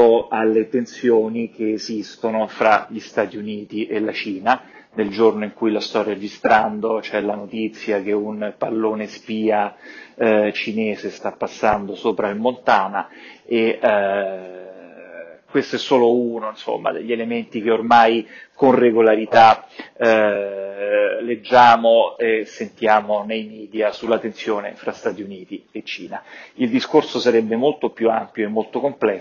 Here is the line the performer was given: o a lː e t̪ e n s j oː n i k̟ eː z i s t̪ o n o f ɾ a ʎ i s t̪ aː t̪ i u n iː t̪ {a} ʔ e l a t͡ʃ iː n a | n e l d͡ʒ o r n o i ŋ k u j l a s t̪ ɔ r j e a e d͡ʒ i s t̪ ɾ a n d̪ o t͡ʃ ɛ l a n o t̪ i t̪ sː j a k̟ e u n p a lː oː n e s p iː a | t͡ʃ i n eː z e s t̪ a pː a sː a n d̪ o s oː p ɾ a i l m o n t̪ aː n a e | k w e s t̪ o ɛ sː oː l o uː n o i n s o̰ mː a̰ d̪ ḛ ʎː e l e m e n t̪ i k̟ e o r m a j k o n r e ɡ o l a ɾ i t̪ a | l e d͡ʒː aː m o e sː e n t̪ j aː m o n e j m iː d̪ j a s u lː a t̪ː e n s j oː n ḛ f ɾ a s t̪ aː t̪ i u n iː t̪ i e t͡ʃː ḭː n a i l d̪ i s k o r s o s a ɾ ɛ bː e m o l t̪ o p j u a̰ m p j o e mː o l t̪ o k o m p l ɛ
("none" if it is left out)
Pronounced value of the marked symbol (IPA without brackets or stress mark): i